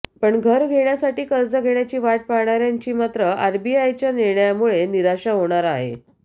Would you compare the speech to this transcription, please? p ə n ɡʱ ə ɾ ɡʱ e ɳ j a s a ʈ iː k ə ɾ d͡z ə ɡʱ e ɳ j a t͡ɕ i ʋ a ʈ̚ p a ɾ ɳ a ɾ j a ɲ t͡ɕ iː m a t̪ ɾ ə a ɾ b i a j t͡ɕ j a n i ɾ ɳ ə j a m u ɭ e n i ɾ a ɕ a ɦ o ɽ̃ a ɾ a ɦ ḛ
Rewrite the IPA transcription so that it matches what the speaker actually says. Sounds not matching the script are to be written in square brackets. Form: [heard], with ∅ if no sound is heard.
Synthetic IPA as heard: p ə [ɳ] ɡʱ ə ɾ ɡʱ e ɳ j a s a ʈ iː k ə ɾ d͡z ə ɡʱ e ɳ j a t͡ɕ [iː] ʋ a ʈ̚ p a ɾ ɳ a ɾ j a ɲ t͡ɕ iː m a t̪ ɾ ə a ɾ b i a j t͡ɕ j a n i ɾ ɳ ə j a m u ɭ e n i ɾ a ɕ a ɦ o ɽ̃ a ɾ a ɦ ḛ